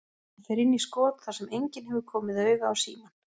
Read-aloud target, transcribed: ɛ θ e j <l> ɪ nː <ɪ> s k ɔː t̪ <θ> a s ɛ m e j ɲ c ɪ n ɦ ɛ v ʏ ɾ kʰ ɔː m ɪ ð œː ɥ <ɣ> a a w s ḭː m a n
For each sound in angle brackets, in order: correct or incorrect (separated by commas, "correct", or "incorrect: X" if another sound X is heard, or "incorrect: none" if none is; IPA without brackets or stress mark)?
incorrect: ɾ, incorrect: i, correct, correct